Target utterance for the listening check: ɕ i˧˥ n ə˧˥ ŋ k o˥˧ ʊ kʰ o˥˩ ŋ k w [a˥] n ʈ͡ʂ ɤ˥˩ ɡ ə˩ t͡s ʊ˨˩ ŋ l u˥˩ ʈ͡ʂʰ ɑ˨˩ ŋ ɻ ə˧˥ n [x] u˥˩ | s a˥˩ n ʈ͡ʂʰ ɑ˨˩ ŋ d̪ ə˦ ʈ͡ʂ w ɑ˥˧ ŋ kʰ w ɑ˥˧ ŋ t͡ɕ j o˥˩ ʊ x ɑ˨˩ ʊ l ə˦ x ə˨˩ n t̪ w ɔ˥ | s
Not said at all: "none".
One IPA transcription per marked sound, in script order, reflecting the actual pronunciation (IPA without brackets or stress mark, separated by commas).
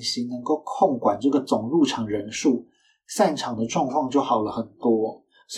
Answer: a˨˩, ʂ